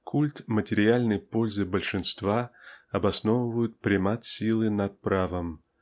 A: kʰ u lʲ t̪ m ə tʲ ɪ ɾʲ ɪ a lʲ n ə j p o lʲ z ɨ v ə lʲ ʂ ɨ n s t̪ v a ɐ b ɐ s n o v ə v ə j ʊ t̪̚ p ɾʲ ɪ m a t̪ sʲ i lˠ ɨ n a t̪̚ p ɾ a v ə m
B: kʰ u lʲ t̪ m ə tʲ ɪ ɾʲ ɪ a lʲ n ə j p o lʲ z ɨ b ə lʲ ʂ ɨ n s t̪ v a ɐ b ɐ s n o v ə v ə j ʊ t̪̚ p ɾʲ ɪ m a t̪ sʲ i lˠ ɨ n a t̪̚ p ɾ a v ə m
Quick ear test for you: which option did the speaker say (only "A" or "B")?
B